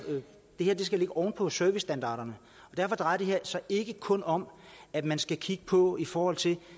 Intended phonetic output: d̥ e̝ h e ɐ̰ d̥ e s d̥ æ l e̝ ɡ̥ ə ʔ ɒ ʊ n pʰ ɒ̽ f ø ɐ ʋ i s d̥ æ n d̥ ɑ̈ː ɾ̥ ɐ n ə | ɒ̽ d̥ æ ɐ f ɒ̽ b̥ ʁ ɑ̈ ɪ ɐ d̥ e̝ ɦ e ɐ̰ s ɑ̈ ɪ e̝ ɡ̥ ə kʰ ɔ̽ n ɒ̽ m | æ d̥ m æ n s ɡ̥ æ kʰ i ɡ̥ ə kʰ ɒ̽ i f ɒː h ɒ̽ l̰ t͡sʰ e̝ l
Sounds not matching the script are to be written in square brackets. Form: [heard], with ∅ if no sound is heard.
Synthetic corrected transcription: d̥ e̝ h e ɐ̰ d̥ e s [ɡ̥] æ l e̝ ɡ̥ ə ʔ ɒ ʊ n pʰ ɒ̽ [s] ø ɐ ʋ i s d̥ æ n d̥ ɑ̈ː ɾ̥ ɐ n ə | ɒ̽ d̥ æ ɐ f ɒ̽ [d̥] ʁ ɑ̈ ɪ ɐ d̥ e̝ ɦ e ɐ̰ s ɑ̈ ɪ e̝ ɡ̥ ə kʰ ɔ̽ n ɒ̽ m | æ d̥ m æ n s ɡ̥ æ kʰ i ɡ̥ ə [pʰ] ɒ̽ i f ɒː h ɒ̽ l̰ t͡sʰ e̝ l